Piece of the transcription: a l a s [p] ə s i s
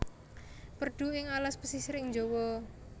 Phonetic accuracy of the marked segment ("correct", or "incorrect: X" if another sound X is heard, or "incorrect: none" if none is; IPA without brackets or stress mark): correct